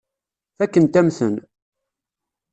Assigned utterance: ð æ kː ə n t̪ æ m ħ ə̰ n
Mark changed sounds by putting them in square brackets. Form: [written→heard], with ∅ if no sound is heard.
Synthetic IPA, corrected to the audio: [ð→θ] æ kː ə n t̪ æ m [ħ→θ] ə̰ n